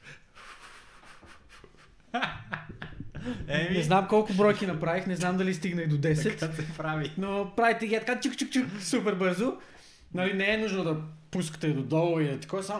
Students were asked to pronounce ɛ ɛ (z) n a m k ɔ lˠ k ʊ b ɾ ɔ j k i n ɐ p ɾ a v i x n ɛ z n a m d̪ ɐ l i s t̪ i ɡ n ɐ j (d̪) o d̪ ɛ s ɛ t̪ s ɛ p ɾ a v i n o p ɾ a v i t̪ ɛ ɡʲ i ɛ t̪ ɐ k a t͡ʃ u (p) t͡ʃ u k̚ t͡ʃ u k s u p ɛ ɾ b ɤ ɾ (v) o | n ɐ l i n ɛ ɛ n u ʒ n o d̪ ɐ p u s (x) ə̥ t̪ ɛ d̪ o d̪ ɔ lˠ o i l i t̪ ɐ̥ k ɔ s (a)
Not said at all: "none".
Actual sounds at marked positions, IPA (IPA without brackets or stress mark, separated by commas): z, d̪, k, z, k, a